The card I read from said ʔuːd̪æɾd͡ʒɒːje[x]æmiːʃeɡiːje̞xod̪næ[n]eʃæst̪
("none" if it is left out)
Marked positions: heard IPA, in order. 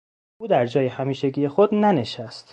h, n

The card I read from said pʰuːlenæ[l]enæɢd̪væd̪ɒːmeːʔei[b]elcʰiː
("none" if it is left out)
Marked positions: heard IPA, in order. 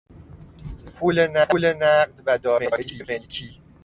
l, m

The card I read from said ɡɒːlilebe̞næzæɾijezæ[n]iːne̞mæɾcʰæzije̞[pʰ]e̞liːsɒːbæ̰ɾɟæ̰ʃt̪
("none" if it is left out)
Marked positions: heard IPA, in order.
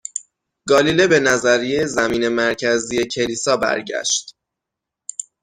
m, cʰ

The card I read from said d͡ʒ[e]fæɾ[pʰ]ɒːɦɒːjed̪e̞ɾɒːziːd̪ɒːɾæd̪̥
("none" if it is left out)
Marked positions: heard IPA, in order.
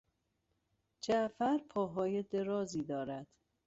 æ, pʰ

